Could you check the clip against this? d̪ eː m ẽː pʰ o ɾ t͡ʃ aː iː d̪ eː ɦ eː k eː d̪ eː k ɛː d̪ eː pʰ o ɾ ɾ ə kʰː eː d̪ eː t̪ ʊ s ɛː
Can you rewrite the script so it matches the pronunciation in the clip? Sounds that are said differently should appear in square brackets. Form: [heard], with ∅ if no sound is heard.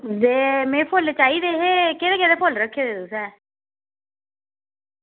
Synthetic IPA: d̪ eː m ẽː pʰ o [l] t͡ʃ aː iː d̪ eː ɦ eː k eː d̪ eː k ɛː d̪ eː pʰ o [l] ɾ ə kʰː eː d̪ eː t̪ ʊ s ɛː